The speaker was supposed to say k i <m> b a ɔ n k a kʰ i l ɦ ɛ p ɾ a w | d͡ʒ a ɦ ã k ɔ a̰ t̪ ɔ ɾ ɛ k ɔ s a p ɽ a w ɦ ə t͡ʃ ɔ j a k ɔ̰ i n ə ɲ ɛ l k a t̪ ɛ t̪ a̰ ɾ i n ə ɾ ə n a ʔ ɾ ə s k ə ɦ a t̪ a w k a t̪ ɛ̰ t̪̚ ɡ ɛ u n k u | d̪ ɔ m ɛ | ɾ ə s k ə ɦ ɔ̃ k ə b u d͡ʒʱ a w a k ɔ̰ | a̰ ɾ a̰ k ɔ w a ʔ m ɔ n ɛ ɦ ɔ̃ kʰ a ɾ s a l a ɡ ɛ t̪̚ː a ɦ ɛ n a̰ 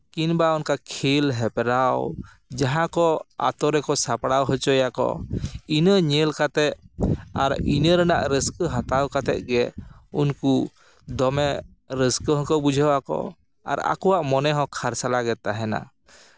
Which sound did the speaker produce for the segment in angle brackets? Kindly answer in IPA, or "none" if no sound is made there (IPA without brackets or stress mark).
n